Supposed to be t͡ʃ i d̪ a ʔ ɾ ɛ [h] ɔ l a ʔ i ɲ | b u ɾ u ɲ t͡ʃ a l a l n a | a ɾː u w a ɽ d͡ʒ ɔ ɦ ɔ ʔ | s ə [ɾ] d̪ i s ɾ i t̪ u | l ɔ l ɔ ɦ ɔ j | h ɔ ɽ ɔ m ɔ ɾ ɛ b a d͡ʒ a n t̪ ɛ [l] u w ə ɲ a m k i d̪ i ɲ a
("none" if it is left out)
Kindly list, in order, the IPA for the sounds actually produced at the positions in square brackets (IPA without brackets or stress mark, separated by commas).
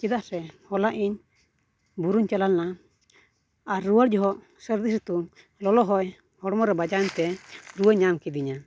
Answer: h, ɾ, ɾ